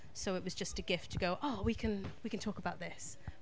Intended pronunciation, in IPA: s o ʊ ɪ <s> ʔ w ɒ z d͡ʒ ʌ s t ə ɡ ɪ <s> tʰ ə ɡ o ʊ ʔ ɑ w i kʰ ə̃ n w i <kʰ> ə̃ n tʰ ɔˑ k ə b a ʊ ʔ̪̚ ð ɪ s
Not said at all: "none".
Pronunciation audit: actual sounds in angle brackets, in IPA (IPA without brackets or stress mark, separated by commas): none, f, k